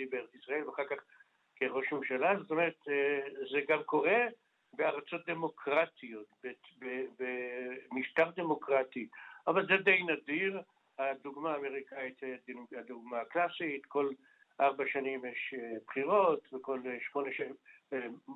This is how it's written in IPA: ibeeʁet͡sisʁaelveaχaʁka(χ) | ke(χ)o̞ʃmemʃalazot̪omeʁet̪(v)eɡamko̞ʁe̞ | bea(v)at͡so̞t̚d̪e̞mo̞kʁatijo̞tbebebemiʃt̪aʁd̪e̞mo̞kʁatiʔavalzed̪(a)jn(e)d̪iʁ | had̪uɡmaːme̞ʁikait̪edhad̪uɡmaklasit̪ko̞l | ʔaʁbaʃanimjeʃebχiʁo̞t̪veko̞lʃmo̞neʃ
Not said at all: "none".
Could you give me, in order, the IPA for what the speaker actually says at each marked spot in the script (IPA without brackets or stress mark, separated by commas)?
χ, ʁ, z, ʁ, e, a